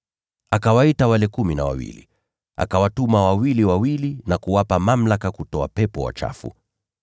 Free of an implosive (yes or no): yes